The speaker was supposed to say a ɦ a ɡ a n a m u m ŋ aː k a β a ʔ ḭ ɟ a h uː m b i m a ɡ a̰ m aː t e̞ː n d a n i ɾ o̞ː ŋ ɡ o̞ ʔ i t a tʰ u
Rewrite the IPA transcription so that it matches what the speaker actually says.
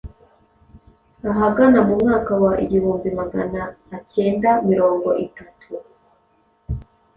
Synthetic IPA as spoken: a ɦ a ɡ a n a m u m ŋ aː k a w a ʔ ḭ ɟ i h uː m b i m a ɡ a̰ n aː c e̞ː n d a m i ɾ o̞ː ŋ ɡ o̞ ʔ i t a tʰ u